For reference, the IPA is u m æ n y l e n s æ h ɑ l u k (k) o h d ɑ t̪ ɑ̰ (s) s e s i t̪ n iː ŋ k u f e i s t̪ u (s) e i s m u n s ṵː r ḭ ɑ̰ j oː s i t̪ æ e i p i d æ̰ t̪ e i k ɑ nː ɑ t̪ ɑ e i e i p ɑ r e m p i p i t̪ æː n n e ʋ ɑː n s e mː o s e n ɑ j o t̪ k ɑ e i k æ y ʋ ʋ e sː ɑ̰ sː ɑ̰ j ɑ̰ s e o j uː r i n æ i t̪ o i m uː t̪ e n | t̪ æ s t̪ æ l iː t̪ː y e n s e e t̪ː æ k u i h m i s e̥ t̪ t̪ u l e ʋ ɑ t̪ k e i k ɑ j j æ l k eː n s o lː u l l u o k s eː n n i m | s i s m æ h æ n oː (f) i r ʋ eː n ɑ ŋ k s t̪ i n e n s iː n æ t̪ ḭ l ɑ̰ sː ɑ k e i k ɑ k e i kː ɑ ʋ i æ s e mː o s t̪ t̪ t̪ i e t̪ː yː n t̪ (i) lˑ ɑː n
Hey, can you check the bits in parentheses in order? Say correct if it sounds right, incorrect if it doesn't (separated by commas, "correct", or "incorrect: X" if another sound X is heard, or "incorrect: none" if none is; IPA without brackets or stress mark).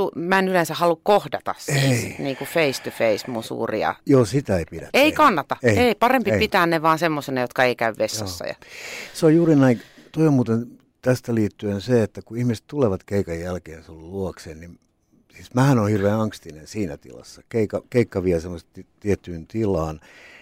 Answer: correct, correct, incorrect: f, incorrect: h, correct